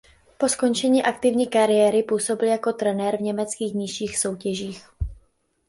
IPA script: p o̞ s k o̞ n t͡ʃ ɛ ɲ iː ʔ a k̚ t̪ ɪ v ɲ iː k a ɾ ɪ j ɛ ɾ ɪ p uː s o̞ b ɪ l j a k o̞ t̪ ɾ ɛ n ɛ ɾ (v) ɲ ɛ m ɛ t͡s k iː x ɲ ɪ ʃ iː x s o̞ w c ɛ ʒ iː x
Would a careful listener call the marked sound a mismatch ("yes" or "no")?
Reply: no